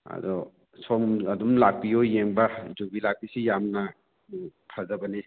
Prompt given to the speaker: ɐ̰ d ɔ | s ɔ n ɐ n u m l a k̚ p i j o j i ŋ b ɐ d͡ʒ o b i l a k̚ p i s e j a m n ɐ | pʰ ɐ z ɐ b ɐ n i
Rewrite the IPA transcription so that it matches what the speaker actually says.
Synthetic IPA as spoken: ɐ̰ d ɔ | s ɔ m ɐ d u m l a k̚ p i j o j e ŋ b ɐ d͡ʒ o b i l a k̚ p i s i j a m n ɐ | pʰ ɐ z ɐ b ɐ n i